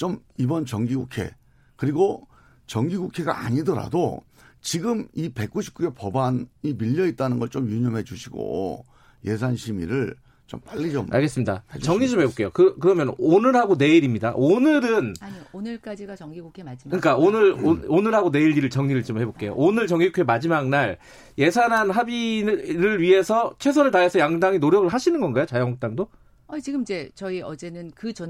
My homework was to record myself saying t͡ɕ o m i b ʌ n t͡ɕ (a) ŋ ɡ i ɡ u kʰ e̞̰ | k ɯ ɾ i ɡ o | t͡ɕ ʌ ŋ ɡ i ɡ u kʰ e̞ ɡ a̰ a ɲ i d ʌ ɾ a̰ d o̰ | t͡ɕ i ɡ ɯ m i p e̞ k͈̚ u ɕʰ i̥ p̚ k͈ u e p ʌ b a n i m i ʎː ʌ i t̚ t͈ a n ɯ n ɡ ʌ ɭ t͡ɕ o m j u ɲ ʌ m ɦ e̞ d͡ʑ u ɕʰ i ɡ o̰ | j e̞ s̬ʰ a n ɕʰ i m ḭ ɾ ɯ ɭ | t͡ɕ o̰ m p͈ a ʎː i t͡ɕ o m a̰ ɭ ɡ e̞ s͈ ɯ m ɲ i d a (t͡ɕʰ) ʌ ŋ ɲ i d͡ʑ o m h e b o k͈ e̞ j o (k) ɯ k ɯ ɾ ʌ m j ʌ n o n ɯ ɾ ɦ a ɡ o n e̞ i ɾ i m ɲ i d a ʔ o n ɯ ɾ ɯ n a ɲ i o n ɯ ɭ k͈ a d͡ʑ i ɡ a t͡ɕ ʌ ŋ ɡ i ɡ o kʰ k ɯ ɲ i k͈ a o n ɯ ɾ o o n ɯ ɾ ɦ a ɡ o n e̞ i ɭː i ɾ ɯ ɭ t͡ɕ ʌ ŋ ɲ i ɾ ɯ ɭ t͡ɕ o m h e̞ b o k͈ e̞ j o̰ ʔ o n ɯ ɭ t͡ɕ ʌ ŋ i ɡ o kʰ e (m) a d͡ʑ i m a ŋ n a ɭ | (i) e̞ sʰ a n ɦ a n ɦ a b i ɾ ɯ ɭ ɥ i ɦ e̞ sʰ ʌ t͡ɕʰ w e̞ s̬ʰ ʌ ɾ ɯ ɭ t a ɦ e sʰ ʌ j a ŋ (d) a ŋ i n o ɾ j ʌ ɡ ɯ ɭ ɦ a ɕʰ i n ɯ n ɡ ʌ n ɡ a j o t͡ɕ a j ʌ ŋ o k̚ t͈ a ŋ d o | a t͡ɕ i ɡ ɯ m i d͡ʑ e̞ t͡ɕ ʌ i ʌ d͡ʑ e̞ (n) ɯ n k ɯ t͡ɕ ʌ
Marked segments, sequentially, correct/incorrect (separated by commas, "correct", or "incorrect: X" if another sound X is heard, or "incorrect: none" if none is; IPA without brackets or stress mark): incorrect: ʌ, incorrect: t͡ɕ, correct, correct, incorrect: j, correct, correct